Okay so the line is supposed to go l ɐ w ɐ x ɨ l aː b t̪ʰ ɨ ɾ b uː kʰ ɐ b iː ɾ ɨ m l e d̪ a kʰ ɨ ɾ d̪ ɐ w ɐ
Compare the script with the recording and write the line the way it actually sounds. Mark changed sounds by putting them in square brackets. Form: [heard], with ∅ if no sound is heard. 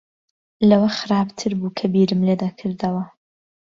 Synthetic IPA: l ɐ w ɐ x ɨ [ɾ] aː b t̪ʰ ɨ ɾ b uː kʰ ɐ b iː ɾ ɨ m l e d̪ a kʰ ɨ ɾ d̪ ɐ w ɐ